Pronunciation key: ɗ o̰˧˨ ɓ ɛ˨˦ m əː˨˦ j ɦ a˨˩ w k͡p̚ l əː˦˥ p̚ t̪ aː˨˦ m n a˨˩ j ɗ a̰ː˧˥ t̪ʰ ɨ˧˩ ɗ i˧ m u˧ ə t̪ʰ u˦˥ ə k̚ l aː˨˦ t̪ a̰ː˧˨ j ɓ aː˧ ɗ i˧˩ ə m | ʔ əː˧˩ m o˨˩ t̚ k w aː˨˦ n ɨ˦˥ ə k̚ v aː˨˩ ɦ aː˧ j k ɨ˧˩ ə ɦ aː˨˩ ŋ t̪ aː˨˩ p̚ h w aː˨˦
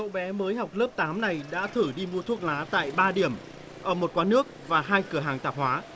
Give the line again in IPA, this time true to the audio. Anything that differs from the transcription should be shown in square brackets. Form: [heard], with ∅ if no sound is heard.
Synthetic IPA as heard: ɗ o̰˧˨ ɓ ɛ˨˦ m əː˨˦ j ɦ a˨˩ w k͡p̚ l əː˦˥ p̚ t̪ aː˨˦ m n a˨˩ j ɗ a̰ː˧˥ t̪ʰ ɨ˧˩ ɗ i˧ m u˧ ə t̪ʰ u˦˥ ə k̚ l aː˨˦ t̪ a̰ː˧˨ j ɓ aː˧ ɗ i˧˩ ə m | ʔ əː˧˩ m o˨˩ t̚ k w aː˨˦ n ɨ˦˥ ə k̚ v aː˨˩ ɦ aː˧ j k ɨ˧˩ ə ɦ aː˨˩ ŋ t̪ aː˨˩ p̚ h w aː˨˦